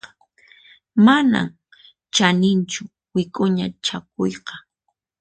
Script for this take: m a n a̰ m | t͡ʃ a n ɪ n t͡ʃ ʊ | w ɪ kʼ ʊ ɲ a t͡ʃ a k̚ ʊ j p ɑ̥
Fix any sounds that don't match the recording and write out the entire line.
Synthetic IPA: m a n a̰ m | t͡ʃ a n ɪ n t͡ʃ ʊ | w ɪ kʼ ʊ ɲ a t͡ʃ a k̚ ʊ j q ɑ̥

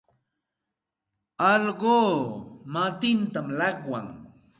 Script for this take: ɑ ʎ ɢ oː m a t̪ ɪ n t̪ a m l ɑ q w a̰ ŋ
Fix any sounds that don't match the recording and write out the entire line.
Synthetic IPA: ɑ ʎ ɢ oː m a t̪ ɪ n t̪ a m l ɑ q w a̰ ŋ

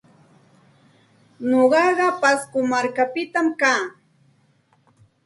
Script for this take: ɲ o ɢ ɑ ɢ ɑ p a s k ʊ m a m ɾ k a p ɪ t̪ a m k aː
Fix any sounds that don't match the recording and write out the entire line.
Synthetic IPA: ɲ o ɢ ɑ ɢ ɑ p a s k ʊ m a ɾ k a p ɪ t̪ a m k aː

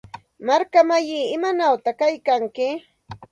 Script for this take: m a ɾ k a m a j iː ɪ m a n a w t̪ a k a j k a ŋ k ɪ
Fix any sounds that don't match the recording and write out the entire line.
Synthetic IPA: m a ɾ k a m a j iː ɪ m a n a w t̪ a k a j k a ŋ k ɪ

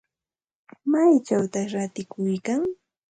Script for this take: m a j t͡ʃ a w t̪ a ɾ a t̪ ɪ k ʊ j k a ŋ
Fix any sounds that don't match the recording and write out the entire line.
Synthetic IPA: m a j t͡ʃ a w t̪ a ɾ a t̪ ɪ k ʊ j k a ŋ

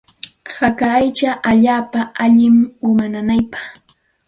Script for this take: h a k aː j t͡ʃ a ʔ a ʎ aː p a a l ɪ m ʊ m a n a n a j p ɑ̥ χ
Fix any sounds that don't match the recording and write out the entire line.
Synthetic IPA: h a k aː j t͡ʃ a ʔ a ʎ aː p a a ʎ ɪ m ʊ m a n a n a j p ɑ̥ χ

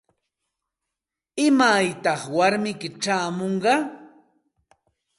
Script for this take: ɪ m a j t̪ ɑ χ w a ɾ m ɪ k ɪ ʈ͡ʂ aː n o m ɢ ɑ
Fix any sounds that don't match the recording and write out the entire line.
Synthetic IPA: ɪ m a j t̪ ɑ χ w a ɾ m ɪ k ɪ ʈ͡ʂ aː m o ɴ ɢ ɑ

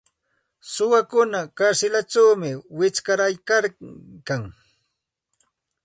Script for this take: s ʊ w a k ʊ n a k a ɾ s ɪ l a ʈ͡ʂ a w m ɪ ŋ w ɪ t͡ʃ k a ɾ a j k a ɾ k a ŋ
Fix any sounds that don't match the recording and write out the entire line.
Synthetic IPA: s ʊ w a k ʊ n a k a ɾ s ɪ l a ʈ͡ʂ a w m ɪ w ɪ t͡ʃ k a ɾ a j k a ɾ k a ŋ

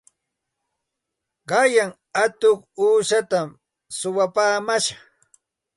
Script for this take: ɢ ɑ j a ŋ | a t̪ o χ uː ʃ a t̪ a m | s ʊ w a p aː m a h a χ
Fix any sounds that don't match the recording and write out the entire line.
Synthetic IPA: ɢ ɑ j a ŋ | a t̪ o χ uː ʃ a t̪ a m | s ʊ w a p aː m a ʃ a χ

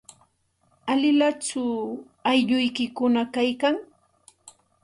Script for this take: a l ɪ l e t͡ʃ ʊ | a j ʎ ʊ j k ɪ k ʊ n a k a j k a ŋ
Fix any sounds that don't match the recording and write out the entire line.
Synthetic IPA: a l ɪ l a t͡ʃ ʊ | a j ʎ ʊ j k ɪ k ʊ n a k a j k a ŋ

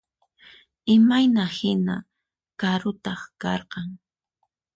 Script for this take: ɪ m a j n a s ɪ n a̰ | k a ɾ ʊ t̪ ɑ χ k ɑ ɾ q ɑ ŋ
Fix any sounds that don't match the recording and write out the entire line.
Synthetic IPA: ɪ m a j n a h ɪ n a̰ | k a ɾ ʊ t̪ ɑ χ k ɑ ɾ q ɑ ŋ

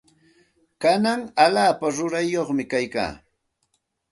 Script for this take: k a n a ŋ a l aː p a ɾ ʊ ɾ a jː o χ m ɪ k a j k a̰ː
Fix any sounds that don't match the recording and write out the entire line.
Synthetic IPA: k a n a ŋ a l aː p a ɾ ʊ ɾ a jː o χ m ɪ k a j k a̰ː

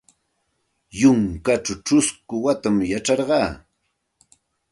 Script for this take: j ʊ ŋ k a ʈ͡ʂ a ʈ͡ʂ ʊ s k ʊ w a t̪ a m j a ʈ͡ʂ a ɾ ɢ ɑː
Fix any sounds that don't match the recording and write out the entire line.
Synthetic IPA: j ʊ ŋ k a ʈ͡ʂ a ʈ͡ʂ ʊ s k ʊ w a t̪ a m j a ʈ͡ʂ ɑ ɾ ɢ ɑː

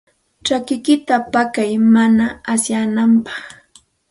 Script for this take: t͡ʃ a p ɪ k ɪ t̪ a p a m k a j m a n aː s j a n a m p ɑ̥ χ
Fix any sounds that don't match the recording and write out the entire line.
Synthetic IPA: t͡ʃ a k ɪ k ɪ t̪ a p a k a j m a n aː s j a n a m p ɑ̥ χ

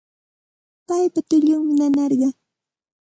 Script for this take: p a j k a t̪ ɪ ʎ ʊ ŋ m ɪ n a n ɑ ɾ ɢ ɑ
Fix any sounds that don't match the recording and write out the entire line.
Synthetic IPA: p a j p a t̪ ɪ ʎ ʊ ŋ m ɪ n a n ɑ ɾ ɢ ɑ

